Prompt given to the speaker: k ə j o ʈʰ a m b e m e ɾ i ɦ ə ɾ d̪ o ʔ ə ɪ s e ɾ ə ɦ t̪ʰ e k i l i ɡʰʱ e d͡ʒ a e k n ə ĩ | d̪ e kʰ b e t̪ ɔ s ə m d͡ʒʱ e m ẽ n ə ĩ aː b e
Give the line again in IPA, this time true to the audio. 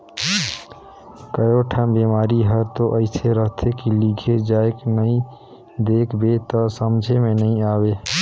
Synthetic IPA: k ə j o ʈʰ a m b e m a ɾ i ɦ ə ɾ t̪ o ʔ ə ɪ s e ɾ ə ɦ t̪ʰ e k i l i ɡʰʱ e d͡ʒ a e k n ə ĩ | d̪ e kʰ b e t̪ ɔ s ə m d͡ʒʱ e m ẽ n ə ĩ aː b e

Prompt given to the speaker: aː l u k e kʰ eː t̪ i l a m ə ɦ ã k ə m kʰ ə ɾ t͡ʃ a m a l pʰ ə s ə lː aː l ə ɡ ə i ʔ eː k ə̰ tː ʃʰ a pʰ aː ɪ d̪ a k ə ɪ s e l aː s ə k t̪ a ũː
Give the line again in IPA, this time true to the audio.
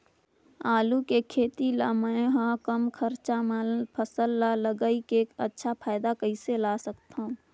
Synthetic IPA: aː l u k e kʰ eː t̪ i l a m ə ɦ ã k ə m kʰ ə ɾ t͡ʃ a m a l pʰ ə s ə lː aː l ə ɡ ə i k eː k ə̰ tː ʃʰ a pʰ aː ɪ d̪ a k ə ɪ s e l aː s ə k t̪ a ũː

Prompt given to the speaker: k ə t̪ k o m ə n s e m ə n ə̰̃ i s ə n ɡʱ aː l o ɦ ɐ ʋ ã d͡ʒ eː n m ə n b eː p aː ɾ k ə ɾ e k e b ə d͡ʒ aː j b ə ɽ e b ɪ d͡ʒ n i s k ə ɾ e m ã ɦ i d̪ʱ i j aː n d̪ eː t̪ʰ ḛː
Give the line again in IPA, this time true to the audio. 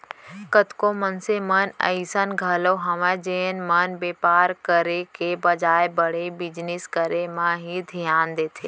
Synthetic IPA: k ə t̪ k o m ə n s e m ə n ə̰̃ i s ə n ɡʱ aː l o ɦ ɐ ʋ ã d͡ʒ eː n m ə n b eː p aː ɾ k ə ɾ e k e b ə d͡ʒ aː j b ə ɽ e b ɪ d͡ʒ n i s k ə ɾ e m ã ɦ i d̪ʱ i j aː n d̪ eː t̪ʰ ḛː

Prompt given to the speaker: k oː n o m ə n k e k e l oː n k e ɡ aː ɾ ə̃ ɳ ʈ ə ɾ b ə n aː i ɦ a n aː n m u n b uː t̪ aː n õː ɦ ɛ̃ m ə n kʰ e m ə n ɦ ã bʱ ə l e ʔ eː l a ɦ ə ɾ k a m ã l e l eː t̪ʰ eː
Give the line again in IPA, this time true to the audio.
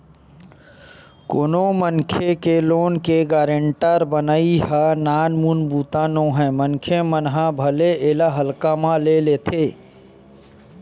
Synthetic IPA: k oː n o m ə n kʰ e k e l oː n k e ɡ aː ɾ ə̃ ɳ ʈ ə ɾ b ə n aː i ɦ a n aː n m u n b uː t̪ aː n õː ɦ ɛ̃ m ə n kʰ e m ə n ɦ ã bʱ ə l e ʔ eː l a ɦ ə l k a m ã l e l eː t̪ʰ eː

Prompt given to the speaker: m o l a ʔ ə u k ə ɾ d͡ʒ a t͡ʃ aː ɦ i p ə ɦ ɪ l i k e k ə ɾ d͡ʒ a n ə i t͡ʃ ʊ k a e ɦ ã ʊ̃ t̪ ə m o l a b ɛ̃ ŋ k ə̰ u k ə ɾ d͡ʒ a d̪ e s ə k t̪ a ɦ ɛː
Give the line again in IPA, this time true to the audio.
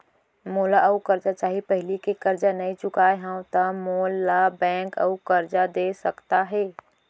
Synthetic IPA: m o l a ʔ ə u k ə ɾ d͡ʒ a t͡ʃ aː ɦ i p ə ɦ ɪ l i k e k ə ɾ d͡ʒ a n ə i t͡ʃ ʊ k a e ɦ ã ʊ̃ t̪ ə m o l a b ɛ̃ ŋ k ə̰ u k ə ɾ d͡ʒ a d̪ e s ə k t̪ a ɦ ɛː

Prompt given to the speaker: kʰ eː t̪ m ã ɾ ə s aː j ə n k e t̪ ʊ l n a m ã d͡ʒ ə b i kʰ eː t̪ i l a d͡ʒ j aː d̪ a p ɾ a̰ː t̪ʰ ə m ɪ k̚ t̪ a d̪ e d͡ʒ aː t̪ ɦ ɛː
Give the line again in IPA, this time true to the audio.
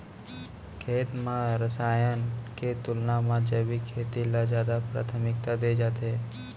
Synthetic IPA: kʰ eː t̪ m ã ɾ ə s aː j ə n k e t̪ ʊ l n a m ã d͡ʒ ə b i kʰ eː t̪ i l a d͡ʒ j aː d̪ a p ɾ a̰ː t̪ʰ ə m ɪ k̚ t̪ a d̪ e d͡ʒ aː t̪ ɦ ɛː

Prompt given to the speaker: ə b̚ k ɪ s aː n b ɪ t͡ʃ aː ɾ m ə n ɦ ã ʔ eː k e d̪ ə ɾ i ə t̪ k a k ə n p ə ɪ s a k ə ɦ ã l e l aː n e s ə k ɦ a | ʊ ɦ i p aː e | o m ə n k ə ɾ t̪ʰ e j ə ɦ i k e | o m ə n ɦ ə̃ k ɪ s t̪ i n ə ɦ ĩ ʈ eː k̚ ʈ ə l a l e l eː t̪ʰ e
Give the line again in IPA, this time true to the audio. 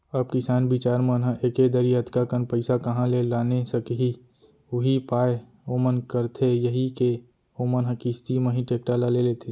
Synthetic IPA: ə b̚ k ɪ s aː n b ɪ t͡ʃ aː ɾ m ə n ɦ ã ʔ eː k e d̪ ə ɾ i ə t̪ k a k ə n p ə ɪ s a k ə ɦ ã l e l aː n e s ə k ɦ i | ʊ ɦ i p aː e | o m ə n k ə ɾ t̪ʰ e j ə ɦ i k e | o m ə n ɦ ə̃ k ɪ s t̪ i m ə ɦ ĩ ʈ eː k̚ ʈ a l a l e l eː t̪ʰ e

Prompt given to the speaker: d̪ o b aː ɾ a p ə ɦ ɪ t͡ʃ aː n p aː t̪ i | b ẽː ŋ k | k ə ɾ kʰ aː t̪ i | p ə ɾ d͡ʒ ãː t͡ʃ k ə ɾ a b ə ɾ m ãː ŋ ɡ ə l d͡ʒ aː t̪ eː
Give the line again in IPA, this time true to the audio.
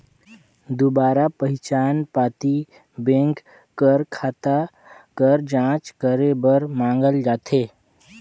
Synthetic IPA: d̪ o b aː ɾ a p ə ɦ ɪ t͡ʃ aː n p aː t̪ i | b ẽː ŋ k | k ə ɾ kʰ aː t̪ a | k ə ɾ d͡ʒ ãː t͡ʃ k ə ɾ e b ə ɾ m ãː ŋ ɡ ə l d͡ʒ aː t̪ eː

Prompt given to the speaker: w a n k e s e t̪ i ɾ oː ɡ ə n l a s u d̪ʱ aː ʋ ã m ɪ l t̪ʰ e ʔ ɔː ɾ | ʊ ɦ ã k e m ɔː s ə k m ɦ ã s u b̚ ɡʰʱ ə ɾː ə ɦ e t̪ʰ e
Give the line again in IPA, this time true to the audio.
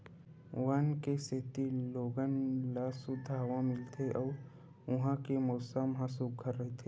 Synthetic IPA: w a n k e s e t̪ i l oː ɡ ə n l a s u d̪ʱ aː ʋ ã m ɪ l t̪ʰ e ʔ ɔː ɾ | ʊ ɦ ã k e m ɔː s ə m ɦ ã s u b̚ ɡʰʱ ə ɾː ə ɦ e t̪ʰ e

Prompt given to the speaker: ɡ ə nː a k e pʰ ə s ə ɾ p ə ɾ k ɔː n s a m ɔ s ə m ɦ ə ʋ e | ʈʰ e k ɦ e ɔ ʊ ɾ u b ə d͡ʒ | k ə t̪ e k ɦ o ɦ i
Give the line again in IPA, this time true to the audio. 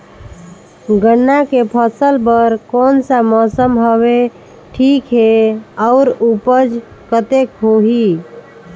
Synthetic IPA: ɡ ə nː a k e pʰ ə s ə l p ə ɾ k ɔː n s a m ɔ s ə m ɦ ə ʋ e | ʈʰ i k ɦ e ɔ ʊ ɾ u p ə d͡ʒ | k ə t̪ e k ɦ o ɦ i

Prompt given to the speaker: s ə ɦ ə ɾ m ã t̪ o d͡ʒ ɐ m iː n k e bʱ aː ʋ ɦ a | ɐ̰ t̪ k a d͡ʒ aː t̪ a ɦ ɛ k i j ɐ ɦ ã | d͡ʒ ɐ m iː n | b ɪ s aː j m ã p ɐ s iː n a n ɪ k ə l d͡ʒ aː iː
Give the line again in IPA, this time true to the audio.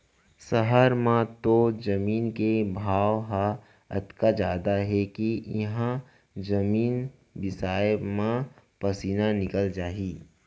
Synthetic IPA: s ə ɦ ə ɾ m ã t̪ o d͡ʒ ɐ m iː n k e bʱ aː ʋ ɦ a | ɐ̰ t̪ k a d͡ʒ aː d̪ a ɦ ɛ k i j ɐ ɦ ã | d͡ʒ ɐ m iː n | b ɪ s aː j m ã p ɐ s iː n a n ɪ k ə l d͡ʒ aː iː

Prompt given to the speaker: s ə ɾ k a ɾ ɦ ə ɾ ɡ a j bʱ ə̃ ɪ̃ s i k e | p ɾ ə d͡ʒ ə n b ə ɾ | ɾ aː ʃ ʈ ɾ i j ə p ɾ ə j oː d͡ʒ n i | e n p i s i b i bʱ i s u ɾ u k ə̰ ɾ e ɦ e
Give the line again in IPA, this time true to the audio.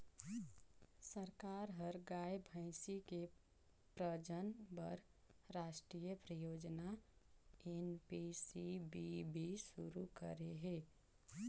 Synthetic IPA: s ə ɾ k a ɾ ɦ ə ɾ ɡ a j bʱ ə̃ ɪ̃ s i k e | p ɾ ə d͡ʒ ə n b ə ɾ | ɾ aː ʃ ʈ ɾ i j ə p ɾ ə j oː d͡ʒ n a | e n p i s i b i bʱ i s u ɾ u k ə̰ ɾ e ɦ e

